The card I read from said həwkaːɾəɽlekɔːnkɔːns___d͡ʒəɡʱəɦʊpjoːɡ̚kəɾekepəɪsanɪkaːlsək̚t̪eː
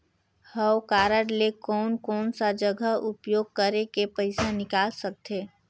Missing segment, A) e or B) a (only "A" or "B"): B